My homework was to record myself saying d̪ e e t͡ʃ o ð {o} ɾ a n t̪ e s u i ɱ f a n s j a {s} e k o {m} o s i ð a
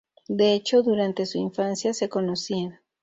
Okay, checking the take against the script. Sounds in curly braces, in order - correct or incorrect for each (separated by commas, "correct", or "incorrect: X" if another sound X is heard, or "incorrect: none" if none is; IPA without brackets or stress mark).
incorrect: u, correct, incorrect: n